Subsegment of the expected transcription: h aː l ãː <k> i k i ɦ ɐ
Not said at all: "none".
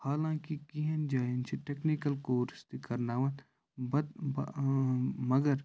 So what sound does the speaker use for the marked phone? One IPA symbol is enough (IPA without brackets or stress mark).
k